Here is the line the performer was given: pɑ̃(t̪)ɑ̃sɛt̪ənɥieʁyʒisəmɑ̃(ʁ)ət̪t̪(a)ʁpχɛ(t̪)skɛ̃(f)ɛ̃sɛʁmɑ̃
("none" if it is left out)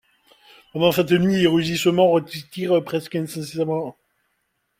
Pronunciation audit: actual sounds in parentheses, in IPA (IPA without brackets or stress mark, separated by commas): d̪, ʁ, i, none, s